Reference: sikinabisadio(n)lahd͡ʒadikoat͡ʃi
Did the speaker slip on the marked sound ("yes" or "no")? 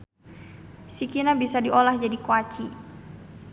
yes